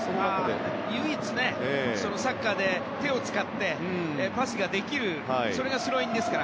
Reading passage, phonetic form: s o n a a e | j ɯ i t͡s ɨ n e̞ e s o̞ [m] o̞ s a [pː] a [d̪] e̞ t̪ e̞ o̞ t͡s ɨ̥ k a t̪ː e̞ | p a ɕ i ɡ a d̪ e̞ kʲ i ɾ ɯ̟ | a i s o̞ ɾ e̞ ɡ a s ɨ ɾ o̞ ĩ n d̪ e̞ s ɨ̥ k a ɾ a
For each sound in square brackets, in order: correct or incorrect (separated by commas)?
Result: incorrect, incorrect, correct